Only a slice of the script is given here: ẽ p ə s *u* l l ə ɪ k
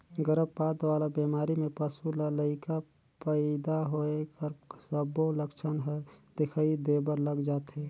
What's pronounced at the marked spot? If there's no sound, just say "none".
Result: u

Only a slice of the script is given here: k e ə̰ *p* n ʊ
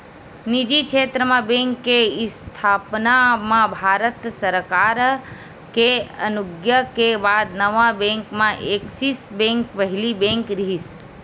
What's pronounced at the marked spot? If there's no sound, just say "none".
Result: none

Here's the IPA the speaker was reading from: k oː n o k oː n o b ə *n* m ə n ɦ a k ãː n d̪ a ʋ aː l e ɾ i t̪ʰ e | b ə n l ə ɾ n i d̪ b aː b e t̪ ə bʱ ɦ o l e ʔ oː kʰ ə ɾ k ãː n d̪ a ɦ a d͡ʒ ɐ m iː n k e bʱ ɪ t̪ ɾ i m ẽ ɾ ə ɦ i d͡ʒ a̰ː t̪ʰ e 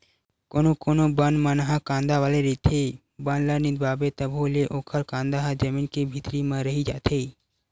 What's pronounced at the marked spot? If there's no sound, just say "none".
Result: n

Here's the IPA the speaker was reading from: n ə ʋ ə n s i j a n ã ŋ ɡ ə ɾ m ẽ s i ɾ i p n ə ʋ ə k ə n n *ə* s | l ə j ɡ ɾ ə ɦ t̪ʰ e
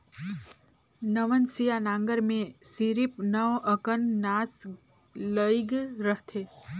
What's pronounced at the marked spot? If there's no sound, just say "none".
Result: a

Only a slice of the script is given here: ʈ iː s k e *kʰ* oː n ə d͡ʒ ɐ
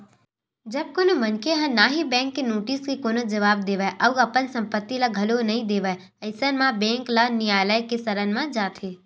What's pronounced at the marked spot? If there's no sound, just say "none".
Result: k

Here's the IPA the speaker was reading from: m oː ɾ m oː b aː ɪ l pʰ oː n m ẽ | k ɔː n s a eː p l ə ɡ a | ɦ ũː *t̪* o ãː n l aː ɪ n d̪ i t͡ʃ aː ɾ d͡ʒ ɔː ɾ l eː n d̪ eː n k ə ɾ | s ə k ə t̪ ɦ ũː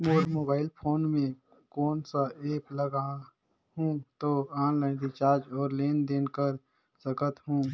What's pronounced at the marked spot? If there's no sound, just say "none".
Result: t̪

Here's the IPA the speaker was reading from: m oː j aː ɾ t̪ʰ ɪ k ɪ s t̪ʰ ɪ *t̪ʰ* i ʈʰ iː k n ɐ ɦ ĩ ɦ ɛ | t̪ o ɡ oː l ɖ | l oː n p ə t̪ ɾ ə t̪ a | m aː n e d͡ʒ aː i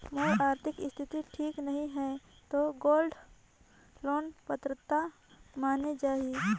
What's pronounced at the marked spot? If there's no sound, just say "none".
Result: t̪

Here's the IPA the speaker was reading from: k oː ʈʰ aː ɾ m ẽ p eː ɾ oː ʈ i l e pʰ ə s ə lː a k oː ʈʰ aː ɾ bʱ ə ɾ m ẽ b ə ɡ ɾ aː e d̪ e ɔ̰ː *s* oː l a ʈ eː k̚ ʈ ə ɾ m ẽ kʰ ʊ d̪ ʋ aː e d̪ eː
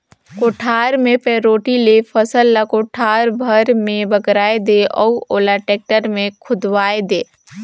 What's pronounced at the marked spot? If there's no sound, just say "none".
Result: none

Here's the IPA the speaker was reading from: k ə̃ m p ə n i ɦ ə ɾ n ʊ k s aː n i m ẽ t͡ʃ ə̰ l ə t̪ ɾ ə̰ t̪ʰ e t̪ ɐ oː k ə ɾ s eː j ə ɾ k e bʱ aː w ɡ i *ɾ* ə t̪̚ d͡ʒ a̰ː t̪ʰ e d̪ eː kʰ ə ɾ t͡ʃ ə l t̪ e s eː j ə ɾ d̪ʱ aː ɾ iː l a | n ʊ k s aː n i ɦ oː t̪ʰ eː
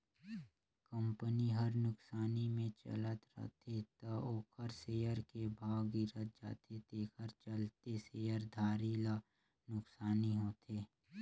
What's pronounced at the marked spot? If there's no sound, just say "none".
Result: ɾ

